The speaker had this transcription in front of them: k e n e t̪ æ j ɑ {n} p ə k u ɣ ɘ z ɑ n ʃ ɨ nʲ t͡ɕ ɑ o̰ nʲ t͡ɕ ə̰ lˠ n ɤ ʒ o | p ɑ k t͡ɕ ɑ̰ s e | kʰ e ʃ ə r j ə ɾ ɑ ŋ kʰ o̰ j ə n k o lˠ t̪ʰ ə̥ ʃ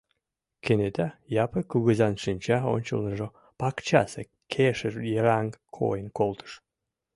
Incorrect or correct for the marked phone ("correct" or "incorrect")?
incorrect